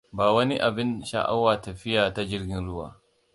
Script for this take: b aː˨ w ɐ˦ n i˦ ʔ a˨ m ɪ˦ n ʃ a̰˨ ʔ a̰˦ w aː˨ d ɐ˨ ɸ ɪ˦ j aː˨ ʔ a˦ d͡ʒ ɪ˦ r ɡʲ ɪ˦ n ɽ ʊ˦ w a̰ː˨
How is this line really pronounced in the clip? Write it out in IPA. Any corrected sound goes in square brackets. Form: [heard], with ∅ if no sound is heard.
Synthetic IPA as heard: b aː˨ w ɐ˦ n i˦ ʔ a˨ [b] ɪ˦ n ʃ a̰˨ ʔ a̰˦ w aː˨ [t] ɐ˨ ɸ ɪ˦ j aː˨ [t] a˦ d͡ʒ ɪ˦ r ɡʲ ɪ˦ n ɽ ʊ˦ w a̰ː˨